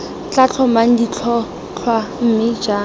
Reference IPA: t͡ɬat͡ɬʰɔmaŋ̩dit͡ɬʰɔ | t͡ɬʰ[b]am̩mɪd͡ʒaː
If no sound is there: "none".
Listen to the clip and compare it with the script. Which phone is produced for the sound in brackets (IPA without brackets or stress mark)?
w